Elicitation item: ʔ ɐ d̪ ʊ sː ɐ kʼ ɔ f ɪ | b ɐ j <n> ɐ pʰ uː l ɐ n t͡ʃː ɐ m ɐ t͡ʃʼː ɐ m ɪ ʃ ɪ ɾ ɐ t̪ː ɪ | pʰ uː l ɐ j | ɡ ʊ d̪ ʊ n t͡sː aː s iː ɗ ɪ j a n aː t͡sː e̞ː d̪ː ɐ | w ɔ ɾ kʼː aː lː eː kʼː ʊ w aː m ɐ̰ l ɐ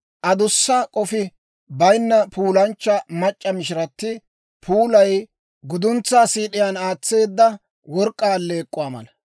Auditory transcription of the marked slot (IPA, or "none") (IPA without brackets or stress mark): nː